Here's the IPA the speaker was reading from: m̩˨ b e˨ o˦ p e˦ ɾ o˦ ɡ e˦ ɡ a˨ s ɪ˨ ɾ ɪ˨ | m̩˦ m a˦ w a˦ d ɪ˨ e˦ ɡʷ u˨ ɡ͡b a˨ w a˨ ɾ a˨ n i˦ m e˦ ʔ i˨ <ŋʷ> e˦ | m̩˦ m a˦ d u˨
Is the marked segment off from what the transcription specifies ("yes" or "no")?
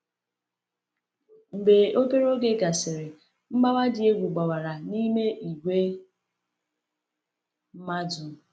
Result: yes